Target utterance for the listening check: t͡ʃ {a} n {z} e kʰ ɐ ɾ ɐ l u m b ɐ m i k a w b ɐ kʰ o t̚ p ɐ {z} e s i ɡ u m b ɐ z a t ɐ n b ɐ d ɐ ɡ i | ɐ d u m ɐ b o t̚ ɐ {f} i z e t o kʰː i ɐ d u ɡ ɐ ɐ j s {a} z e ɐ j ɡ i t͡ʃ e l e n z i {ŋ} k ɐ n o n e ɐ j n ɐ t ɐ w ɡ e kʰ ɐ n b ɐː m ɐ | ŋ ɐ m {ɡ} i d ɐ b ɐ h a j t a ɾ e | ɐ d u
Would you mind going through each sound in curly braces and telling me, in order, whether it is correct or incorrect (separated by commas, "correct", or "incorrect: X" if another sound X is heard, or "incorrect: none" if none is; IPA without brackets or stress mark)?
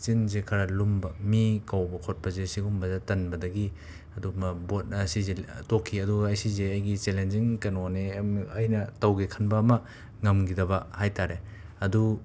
incorrect: i, correct, correct, incorrect: s, incorrect: i, correct, correct